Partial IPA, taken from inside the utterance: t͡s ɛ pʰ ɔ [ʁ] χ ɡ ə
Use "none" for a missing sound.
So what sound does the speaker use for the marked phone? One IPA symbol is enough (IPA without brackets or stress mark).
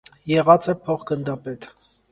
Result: none